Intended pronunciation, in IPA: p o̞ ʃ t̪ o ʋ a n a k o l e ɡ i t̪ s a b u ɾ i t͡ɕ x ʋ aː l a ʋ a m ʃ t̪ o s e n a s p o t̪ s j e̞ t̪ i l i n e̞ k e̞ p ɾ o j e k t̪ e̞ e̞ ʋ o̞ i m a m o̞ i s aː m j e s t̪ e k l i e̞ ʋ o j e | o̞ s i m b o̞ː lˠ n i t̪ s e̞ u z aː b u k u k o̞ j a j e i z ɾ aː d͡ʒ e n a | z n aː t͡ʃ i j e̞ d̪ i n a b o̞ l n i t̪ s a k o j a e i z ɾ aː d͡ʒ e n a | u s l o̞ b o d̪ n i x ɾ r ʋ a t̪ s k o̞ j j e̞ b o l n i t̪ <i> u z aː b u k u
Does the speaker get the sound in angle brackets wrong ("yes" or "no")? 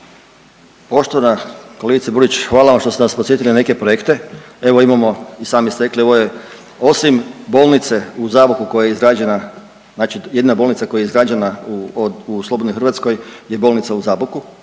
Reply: yes